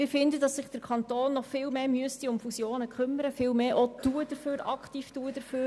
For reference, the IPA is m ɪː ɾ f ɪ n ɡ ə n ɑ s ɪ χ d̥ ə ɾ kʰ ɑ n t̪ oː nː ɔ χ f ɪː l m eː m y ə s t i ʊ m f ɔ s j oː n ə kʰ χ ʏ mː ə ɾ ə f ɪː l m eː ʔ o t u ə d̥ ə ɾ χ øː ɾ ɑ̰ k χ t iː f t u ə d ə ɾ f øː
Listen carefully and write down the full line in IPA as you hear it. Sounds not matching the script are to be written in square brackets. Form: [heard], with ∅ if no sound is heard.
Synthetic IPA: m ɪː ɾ f ɪ n [d] ə [d] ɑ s ɪ χ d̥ ə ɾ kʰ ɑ n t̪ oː nː ɔ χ f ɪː l m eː m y ə s t i ʊ m f [u] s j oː n ə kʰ χ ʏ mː ə ɾ ə f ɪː l m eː ʔ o t u ə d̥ ə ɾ [f] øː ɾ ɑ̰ k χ t iː f t u ə d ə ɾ f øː